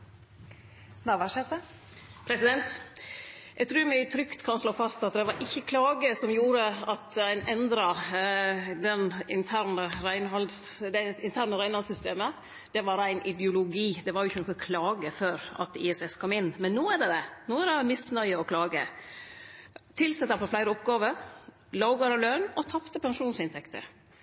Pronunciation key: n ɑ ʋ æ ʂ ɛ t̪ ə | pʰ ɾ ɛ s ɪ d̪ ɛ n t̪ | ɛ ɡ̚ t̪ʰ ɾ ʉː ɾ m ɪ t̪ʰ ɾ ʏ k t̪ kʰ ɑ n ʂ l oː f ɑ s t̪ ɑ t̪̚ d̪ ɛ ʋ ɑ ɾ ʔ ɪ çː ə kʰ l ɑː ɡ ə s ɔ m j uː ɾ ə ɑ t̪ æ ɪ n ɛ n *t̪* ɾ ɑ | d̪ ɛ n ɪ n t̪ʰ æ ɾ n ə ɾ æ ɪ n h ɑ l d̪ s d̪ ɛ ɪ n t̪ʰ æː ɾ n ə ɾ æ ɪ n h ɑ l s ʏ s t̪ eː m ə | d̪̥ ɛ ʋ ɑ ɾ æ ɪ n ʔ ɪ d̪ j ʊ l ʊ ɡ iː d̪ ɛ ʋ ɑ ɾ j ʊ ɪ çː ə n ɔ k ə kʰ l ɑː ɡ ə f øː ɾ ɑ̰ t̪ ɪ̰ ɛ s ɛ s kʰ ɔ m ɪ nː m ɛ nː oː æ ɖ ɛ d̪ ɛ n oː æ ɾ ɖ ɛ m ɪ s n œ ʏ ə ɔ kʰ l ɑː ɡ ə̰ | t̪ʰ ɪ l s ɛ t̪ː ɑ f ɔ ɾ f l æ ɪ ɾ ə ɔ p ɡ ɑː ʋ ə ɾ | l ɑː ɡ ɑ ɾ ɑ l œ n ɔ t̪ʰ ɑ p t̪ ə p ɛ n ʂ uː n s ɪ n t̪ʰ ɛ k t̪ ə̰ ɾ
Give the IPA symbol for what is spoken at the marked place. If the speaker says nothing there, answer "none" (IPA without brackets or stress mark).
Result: d̪